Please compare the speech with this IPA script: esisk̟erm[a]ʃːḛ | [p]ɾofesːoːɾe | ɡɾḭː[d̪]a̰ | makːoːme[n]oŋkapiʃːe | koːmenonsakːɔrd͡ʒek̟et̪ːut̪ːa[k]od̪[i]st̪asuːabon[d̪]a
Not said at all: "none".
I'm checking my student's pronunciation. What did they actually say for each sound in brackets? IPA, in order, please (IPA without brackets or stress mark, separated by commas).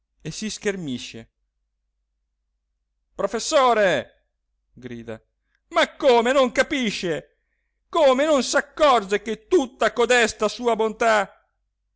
i, p, d̪, n, k, ɛ, t̪